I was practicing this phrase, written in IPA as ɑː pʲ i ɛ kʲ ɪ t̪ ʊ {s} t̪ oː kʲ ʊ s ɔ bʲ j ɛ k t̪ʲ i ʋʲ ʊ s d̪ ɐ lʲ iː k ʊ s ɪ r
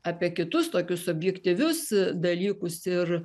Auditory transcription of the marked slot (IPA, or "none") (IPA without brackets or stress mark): s